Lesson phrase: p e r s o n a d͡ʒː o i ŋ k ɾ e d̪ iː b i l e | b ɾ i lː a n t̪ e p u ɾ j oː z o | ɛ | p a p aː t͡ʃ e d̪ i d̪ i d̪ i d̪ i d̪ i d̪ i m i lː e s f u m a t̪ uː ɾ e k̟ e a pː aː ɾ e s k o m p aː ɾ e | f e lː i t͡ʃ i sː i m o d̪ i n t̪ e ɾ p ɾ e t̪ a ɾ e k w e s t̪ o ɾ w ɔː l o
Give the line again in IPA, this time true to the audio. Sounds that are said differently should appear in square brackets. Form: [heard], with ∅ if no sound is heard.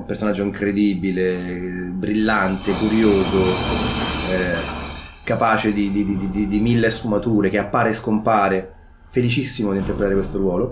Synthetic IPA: p e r s o n a d͡ʒː o i ŋ k ɾ e d̪ iː b i l e | b ɾ i lː a n t̪ e [k] u ɾ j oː z o | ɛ | [k] a p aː t͡ʃ e d̪ i d̪ i d̪ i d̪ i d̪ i d̪ i m i lː e s f u m a t̪ uː ɾ e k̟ e a pː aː ɾ e s k o m p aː ɾ e | f e [l] i t͡ʃ i sː i m o d̪ i n t̪ e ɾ p ɾ e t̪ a ɾ e k w e s t̪ o ɾ w ɔː l o